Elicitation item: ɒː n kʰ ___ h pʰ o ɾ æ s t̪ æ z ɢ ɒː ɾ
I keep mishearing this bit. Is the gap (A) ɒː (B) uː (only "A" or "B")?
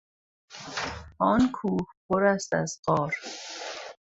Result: B